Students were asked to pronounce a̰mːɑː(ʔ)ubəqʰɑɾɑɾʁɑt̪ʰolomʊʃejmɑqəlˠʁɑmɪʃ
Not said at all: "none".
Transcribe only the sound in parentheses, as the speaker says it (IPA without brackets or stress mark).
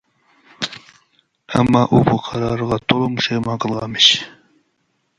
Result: ʔ